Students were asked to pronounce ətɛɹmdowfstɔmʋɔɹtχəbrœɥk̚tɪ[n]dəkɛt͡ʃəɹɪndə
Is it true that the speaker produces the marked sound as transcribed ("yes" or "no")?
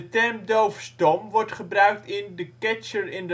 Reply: yes